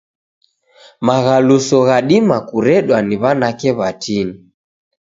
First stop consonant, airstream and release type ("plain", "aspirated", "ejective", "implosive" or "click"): implosive